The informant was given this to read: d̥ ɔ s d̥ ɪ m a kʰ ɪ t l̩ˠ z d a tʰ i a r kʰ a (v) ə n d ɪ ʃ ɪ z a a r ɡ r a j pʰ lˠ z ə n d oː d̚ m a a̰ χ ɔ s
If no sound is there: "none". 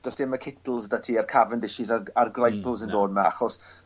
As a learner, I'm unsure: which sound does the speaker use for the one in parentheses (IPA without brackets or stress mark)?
v